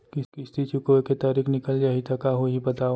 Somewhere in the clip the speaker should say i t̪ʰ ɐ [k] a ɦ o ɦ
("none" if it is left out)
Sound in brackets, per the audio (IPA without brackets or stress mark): k